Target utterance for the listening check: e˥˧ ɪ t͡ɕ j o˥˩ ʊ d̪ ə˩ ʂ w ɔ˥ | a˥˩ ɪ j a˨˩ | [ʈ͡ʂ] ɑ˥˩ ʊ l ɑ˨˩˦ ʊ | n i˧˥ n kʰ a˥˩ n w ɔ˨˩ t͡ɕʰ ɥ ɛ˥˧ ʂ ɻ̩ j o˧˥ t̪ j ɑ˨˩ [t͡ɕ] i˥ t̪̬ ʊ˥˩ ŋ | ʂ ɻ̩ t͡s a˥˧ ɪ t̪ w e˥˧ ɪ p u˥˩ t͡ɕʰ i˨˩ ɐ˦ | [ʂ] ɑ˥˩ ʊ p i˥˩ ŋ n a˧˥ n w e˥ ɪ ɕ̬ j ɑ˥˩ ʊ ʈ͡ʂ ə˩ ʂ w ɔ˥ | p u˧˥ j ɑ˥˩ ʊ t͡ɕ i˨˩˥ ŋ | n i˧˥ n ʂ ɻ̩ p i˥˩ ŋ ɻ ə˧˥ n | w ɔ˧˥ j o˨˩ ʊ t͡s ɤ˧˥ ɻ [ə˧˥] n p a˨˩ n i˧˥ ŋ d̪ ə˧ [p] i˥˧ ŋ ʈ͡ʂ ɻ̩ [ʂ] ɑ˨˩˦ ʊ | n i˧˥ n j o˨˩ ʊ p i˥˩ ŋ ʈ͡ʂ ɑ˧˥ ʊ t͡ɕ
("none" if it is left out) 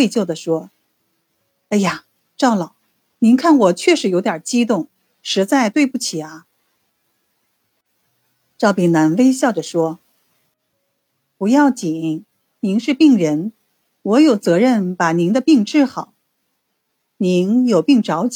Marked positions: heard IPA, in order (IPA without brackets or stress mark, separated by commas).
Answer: ʈ͡ʂ, t͡ɕ, ʈ͡ʂ, ə˥˩, p, x